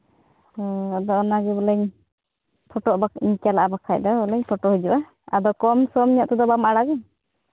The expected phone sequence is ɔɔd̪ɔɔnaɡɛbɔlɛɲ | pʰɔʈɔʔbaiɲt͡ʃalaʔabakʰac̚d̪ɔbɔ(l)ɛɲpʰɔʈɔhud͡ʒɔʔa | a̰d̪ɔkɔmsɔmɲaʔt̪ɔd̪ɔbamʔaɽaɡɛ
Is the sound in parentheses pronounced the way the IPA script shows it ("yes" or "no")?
yes